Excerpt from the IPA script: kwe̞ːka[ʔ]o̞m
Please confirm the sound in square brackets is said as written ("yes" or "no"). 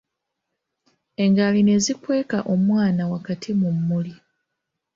yes